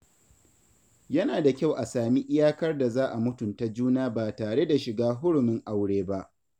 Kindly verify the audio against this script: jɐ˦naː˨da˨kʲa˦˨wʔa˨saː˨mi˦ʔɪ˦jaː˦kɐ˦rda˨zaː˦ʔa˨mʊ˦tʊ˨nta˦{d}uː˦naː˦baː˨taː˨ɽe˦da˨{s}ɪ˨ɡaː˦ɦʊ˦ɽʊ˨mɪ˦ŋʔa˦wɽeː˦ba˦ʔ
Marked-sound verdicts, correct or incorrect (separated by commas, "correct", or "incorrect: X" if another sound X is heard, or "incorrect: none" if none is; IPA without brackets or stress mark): incorrect: d͡ʒ, incorrect: ʃ